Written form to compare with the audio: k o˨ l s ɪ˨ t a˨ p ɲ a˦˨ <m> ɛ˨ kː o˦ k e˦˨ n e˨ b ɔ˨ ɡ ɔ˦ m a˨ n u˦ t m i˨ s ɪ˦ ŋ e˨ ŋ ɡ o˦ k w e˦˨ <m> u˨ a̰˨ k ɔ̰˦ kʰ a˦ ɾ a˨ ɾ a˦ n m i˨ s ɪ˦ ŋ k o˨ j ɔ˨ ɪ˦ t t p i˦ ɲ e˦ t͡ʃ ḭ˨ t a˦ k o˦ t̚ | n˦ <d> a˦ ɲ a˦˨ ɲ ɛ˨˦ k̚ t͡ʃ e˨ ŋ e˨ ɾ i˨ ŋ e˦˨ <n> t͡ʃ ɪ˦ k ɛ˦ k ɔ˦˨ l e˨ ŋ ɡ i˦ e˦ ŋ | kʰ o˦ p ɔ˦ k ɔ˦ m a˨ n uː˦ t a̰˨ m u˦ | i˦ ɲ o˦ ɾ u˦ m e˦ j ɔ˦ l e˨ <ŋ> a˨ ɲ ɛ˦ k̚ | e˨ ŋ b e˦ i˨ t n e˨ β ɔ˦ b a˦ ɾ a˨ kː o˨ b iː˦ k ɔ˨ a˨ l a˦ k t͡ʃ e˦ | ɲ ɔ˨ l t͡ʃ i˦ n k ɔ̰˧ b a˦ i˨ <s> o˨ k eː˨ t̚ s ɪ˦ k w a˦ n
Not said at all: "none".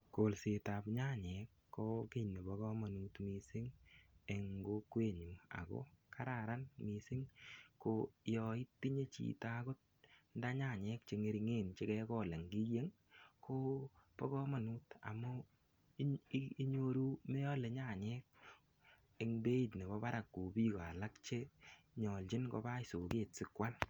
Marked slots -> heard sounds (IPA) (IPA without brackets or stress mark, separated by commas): ɲ, ɲ, d, n, ɲ, s